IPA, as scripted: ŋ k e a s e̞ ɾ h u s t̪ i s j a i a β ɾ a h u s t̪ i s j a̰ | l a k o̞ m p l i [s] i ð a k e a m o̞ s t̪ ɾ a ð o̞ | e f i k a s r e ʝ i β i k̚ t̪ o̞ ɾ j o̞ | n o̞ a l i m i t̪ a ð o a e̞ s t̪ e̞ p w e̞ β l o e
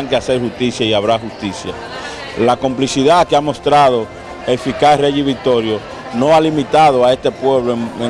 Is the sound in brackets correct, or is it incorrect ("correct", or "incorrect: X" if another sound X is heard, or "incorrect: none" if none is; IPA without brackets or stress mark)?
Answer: correct